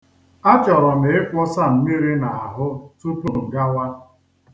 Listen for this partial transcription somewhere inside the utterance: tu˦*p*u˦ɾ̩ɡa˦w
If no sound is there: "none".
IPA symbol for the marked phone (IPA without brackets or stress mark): p